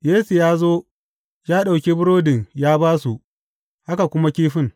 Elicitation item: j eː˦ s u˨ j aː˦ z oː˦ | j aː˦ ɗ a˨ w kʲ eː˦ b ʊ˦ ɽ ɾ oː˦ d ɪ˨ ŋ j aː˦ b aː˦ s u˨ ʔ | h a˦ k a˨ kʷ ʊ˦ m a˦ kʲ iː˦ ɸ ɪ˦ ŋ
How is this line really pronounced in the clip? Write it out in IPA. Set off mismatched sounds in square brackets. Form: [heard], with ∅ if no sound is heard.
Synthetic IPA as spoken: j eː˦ s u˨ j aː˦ z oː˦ | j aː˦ ɗ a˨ w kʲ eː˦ b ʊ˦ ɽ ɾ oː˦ d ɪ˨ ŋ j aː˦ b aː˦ s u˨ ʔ | h a˦ k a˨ kʷ ʊ˦ m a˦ kʲ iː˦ ɸ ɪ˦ ŋ

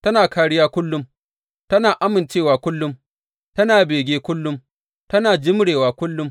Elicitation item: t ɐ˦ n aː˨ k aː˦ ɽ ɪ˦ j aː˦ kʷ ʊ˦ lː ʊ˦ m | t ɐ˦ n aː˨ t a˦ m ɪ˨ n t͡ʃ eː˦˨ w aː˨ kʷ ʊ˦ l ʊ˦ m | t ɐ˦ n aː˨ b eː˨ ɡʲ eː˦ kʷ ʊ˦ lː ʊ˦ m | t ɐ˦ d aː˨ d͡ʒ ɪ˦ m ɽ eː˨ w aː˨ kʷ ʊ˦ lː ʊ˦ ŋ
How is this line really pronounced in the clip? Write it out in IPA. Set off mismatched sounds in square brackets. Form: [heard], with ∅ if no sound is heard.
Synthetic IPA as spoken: t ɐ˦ n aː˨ k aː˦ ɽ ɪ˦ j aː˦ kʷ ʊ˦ lː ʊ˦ m | t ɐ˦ n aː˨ [ʔ] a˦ m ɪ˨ n t͡ʃ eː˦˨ w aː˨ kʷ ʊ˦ [lː] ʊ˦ m | t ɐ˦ n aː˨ b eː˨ ɡʲ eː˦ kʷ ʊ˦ lː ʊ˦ m | t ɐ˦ [n] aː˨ d͡ʒ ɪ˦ m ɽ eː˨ w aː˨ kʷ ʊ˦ lː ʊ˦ [m]

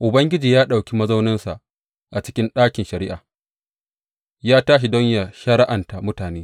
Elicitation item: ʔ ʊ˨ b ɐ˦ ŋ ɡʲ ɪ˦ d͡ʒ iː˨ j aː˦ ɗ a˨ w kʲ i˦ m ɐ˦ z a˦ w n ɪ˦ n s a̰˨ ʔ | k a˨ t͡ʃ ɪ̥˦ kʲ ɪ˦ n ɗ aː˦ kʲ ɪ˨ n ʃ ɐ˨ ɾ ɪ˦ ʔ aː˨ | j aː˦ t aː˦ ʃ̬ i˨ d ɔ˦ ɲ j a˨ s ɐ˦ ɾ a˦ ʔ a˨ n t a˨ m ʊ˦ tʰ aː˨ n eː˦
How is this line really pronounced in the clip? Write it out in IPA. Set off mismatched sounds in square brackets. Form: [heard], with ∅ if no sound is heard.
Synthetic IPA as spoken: ʔ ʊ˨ b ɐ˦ ŋ ɡʲ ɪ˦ d͡ʒ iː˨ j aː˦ ɗ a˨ w kʲ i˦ m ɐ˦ z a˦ w n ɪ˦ n s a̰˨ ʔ | [ʔ] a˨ t͡ʃ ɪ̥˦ kʲ ɪ˦ n ɗ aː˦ kʲ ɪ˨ n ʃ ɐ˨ ɾ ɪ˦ ʔ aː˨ | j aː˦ t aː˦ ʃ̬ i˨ d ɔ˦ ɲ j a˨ [ʃ] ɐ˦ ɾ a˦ ʔ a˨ n t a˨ m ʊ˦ [t] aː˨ n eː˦

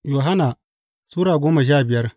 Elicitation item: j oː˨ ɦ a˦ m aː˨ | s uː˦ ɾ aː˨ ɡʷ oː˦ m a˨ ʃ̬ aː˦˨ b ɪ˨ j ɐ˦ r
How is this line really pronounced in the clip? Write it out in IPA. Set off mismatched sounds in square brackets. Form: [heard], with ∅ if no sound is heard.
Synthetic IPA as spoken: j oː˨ ɦ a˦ [n] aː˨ | s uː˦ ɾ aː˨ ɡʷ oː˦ m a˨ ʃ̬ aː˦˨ b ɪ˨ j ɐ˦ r

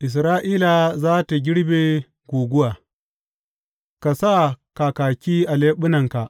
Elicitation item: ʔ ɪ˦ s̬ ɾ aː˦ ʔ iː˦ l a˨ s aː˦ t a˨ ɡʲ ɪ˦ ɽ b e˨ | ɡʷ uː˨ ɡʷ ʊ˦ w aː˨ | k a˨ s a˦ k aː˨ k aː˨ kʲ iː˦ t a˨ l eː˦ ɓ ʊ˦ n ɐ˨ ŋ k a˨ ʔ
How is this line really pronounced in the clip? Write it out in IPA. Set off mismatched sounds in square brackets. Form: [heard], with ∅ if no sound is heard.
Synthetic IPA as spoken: ʔ [ɪ˨] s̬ ɾ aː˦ ʔ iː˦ l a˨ [z] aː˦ t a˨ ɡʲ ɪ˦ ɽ b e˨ | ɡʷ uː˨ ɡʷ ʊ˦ w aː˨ | k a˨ s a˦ k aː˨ k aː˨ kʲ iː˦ [ʔ] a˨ l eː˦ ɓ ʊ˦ n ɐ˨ ŋ k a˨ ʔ

